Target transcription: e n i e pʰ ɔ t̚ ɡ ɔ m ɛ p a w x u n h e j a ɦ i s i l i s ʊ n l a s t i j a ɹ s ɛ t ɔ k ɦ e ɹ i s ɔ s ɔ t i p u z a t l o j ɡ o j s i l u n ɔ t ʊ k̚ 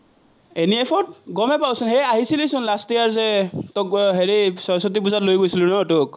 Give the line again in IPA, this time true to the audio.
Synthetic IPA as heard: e n i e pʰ ɔ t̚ ɡ ɔ m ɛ p a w s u n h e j a ɦ i s i l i s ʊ n l a s t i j a ɹ z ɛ t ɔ k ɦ e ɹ i s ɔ s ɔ t i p u z a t l o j ɡ o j s i l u n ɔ t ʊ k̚